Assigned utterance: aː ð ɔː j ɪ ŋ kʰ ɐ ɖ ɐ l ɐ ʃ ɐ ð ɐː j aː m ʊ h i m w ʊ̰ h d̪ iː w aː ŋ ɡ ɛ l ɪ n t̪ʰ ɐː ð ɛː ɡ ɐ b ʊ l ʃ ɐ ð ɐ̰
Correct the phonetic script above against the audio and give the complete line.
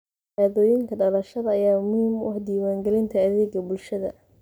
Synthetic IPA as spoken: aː ð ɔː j ɪ ŋ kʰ ɐ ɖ ɐ l ɐ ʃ ɐ ð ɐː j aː m ʊ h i m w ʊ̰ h d̪ iː w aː ŋ ɡ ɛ l ɪ n t̪ʰ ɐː ð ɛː ɡ ɐ b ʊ l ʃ ɐ ð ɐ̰